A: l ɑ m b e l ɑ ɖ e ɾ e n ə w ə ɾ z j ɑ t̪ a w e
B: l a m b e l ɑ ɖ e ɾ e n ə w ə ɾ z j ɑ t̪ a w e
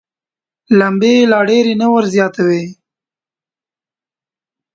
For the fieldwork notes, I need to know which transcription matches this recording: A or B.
B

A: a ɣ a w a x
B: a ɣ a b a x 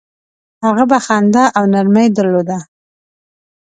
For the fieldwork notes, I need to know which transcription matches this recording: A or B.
B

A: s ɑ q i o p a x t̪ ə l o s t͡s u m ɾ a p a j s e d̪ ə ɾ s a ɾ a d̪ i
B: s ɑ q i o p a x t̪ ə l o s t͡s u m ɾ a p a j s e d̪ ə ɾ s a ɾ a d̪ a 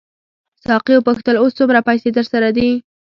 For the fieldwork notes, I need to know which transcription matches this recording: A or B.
A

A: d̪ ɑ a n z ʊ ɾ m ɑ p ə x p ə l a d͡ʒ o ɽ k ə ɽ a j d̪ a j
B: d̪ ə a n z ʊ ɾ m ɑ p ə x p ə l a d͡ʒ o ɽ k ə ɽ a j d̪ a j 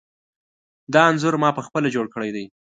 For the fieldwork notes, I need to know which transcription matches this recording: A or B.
A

